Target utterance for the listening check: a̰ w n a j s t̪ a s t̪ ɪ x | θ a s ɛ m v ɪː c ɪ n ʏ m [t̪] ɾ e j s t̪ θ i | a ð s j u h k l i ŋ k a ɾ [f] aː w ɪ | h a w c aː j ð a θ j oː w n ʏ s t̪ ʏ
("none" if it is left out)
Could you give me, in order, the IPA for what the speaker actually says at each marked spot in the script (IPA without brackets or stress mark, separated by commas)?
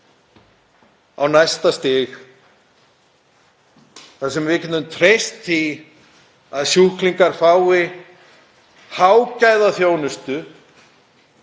t̪ʰ, f